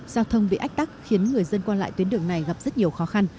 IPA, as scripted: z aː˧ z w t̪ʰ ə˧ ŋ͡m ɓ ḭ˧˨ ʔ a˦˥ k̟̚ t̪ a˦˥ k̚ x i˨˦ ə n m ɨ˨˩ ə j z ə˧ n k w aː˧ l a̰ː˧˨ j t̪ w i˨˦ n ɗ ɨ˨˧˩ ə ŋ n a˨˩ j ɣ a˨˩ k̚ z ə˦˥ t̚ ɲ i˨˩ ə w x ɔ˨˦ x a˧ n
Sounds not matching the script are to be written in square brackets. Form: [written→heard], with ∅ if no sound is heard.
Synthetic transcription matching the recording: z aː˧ [z→∅] w t̪ʰ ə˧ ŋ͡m ɓ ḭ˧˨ ʔ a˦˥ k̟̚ t̪ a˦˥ k̚ x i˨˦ ə n [m→ŋ] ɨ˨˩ ə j z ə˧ n k w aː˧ l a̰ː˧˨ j t̪ w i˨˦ n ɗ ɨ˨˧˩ ə ŋ n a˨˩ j ɣ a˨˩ [k̚→p̚] z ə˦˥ t̚ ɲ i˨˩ ə w x ɔ˨˦ x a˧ n